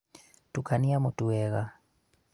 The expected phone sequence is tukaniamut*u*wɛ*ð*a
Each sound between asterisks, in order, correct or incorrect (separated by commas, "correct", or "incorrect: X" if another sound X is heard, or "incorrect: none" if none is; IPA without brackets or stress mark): correct, incorrect: ɣ